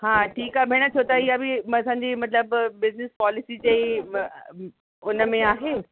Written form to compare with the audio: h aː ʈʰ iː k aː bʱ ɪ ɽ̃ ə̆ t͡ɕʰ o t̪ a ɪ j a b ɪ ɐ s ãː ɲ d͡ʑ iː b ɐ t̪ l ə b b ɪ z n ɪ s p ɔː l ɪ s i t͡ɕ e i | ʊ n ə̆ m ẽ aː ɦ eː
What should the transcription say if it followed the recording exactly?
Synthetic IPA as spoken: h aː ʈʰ iː k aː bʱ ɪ ɽ̃ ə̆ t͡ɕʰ o t̪ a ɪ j a b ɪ ɐ s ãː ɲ d͡ʑ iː m ɐ t̪ l ə b b ɪ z n ɪ s p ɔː l ɪ s i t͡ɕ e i | ʊ n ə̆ m ẽ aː ɦ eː